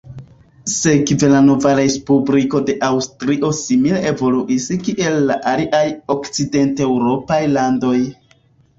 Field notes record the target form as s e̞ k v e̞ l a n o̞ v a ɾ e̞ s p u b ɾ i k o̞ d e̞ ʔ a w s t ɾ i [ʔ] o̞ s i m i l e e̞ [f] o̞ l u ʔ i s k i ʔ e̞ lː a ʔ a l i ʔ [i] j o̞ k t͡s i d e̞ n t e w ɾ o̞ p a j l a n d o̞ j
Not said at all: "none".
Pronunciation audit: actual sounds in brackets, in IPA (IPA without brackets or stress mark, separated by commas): ʔ, v, a